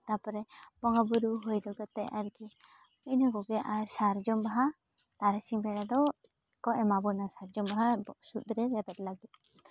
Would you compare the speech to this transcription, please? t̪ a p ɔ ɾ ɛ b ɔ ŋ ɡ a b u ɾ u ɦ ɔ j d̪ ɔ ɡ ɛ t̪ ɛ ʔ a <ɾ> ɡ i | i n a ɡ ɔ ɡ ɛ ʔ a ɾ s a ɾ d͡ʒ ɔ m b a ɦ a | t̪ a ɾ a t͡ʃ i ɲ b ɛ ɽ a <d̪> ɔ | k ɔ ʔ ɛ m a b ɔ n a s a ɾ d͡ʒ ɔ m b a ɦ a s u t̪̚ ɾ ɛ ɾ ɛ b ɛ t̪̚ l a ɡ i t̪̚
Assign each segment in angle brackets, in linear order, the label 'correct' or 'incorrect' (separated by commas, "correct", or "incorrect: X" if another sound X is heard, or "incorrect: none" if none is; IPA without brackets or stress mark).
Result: correct, correct